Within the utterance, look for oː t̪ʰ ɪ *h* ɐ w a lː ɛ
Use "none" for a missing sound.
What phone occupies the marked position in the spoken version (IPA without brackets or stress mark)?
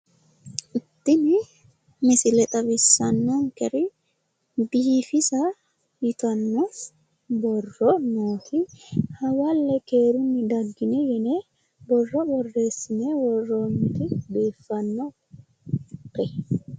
h